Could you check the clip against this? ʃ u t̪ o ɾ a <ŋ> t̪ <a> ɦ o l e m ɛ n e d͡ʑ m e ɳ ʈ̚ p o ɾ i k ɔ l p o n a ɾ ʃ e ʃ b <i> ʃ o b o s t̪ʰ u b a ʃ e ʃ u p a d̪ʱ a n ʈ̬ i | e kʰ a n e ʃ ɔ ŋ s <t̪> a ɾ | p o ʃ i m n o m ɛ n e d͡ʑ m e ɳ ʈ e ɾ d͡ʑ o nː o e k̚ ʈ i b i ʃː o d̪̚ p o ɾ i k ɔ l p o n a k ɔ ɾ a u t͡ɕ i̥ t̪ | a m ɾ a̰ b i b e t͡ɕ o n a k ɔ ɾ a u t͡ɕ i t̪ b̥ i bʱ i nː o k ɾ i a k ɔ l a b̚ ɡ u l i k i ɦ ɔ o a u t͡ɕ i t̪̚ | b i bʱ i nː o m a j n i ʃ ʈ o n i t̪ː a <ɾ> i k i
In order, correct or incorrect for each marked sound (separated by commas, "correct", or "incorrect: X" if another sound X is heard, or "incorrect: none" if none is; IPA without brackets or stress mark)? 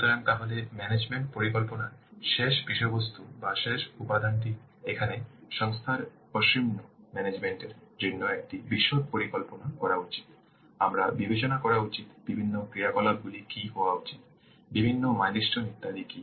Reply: correct, correct, correct, incorrect: t̪ʰ, incorrect: l